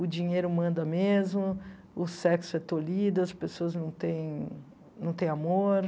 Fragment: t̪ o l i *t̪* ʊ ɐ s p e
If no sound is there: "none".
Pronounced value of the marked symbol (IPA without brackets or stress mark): d̪